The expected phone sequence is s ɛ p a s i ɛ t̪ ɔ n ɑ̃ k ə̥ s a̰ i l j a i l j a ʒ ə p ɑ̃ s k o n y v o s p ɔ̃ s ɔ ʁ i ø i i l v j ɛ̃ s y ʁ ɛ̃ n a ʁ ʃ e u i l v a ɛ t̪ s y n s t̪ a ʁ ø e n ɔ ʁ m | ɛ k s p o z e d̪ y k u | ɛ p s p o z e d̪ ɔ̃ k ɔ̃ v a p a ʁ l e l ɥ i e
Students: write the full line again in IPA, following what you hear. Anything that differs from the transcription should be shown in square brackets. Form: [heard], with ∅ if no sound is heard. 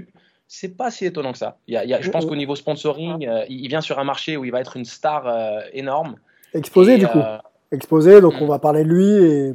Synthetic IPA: s ɛ p a s i [e] t̪ ɔ n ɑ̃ k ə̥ s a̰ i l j a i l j a ʒ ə p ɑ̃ s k o n [i] v o s p ɔ̃ s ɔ ʁ i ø i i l v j ɛ̃ s y ʁ ɛ̃ [m] a ʁ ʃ e u i l v a ɛ t̪ [χ] y n s t̪ a ʁ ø e n ɔ ʁ m | ɛ k s p o z e d̪ y k u | ɛ [k] s p o z e d̪ ɔ̃ k ɔ̃ v a p a ʁ l e l ɥ i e